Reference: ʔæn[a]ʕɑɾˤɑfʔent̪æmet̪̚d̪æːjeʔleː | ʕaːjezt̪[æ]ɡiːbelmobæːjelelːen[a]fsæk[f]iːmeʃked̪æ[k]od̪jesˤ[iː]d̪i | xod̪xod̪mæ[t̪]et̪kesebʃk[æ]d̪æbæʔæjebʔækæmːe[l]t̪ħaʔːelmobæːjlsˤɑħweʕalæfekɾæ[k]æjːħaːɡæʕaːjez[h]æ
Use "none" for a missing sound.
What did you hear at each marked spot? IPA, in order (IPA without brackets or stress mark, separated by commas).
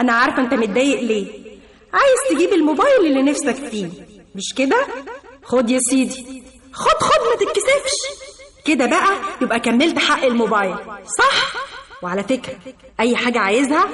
æ, e, æ, f, x, iː, t̪, e, l, ʔ, h